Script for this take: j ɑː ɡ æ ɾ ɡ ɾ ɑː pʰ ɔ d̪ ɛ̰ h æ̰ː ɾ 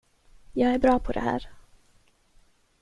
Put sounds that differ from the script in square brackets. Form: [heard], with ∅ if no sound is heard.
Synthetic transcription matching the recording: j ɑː ɡ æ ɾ [b] ɾ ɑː pʰ ɔ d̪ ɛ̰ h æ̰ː ɾ